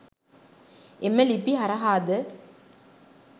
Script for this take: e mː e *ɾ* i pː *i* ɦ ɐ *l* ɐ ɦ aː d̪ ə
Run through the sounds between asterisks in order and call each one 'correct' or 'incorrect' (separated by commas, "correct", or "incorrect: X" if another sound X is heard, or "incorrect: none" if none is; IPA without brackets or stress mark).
incorrect: l, correct, incorrect: ɾ